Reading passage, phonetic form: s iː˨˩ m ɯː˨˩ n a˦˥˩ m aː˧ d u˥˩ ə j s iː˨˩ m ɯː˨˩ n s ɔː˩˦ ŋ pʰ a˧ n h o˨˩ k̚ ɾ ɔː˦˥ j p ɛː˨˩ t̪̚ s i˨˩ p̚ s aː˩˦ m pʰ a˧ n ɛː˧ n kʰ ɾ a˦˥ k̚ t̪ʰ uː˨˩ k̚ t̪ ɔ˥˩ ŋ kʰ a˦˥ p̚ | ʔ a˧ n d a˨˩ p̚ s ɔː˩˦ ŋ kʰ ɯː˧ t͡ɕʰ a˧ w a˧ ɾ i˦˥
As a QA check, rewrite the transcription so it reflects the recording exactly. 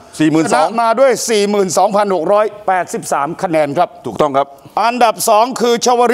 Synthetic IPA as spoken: s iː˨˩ m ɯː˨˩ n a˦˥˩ m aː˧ d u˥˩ ə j s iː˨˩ m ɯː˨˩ n s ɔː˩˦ ŋ pʰ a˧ n h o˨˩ k̚ ɾ ɔː˦˥ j p ɛː˨˩ t̪̚ s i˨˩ p̚ s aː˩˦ m kʰ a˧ n ɛː˧ n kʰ ɾ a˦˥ p̚ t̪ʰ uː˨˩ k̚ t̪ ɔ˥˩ ŋ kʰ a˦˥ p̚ | ʔ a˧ n d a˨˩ p̚ s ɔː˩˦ ŋ kʰ ɯː˧ t͡ɕʰ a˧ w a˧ ɾ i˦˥